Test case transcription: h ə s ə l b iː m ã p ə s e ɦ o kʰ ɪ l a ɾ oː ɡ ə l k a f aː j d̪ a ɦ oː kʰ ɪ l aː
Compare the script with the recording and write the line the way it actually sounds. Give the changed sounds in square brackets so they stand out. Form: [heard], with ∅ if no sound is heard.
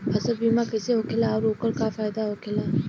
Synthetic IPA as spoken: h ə s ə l b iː m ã [k] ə s e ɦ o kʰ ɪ l a ɾ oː [k] ə l k a f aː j d̪ a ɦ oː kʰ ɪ l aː